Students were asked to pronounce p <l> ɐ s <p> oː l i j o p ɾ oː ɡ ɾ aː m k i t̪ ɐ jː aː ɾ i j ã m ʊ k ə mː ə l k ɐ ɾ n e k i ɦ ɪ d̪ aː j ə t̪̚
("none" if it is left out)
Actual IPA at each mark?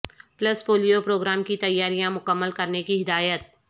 l, p

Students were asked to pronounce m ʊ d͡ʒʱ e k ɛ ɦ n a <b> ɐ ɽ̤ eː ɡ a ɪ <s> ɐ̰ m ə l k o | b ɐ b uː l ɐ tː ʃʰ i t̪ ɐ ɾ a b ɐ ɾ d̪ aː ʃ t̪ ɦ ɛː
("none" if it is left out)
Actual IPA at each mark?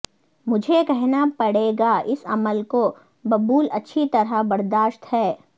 p, s

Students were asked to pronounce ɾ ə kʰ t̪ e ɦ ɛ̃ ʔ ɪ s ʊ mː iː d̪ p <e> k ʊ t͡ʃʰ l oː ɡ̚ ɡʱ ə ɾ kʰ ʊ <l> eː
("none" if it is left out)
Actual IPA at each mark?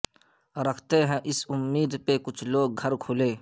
e, l

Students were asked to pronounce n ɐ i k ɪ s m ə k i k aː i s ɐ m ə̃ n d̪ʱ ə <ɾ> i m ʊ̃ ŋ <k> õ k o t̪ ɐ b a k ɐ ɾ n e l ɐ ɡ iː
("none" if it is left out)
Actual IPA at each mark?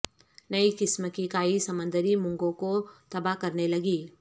ɾ, ɡ

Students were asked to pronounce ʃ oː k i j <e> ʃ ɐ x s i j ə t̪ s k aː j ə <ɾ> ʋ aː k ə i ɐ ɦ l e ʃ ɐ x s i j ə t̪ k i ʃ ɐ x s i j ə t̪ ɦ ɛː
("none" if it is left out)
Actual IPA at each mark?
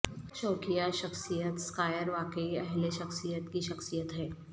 a, ɾ

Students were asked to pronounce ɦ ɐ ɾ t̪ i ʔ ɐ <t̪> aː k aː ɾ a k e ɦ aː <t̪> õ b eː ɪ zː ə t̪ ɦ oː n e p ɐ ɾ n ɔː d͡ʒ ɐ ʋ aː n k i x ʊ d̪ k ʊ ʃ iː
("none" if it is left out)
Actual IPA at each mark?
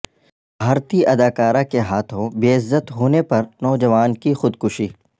d̪, t̪ʰ

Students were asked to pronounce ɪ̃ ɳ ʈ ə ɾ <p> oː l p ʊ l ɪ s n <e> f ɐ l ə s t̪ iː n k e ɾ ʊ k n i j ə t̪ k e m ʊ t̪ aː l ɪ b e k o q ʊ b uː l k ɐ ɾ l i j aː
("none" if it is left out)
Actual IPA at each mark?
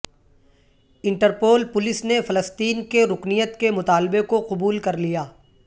p, e

